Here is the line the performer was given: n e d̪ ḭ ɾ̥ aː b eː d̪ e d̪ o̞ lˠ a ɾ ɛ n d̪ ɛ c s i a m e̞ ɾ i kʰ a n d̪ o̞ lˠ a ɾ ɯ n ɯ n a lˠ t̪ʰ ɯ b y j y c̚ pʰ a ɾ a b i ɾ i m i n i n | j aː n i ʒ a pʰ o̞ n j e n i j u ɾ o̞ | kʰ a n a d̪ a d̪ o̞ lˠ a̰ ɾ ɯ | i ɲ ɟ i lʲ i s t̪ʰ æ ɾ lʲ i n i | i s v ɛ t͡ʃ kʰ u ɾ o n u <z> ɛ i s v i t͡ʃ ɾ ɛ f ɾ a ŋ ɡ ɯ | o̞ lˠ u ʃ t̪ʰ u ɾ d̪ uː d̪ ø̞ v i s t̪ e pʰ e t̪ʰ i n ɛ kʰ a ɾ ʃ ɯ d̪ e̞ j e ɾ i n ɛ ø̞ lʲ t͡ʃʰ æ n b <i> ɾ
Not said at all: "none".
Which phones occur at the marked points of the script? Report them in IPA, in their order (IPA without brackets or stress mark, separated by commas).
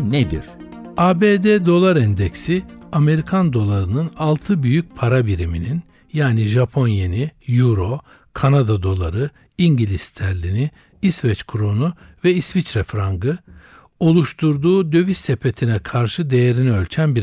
v, i